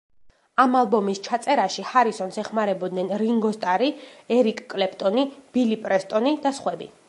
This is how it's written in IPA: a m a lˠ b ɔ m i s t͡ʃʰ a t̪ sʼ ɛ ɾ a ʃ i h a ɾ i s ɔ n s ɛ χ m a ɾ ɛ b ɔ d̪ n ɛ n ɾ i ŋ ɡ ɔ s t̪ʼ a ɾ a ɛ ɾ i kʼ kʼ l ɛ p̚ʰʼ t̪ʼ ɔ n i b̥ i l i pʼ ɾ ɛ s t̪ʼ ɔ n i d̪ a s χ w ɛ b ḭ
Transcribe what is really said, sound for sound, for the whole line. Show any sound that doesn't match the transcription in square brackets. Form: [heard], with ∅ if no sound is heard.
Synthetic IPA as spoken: a m a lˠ b ɔ m i s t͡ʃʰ a t̪ sʼ ɛ ɾ a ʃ i h a ɾ i s ɔ n s ɛ χ m a ɾ ɛ b ɔ d̪ n ɛ n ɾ i ŋ ɡ ɔ s t̪ʼ a ɾ [i] ɛ ɾ i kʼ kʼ l ɛ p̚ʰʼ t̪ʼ ɔ n i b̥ i l i pʼ ɾ ɛ s t̪ʼ ɔ n i d̪ a s χ w ɛ b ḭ